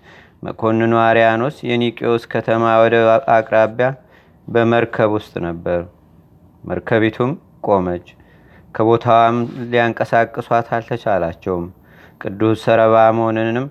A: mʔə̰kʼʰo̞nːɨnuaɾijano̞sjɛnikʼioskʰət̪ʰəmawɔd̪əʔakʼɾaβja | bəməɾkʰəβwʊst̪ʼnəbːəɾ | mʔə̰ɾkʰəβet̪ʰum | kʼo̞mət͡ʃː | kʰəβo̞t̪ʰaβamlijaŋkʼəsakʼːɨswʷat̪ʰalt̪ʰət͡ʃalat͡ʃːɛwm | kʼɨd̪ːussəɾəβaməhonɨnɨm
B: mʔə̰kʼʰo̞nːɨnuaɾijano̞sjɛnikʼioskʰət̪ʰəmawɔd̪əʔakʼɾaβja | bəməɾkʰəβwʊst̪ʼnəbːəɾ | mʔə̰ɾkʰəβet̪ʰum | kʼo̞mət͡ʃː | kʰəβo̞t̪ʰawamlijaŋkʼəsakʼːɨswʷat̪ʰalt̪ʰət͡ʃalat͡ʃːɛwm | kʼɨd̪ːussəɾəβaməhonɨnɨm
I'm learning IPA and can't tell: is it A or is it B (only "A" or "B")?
B